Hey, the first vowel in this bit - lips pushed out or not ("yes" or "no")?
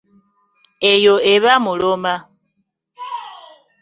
no